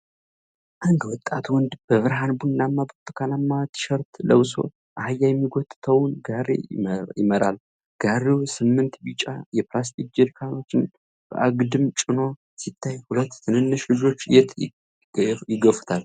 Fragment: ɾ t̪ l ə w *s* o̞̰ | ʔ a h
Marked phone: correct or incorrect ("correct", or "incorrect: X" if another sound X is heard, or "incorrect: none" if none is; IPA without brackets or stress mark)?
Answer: correct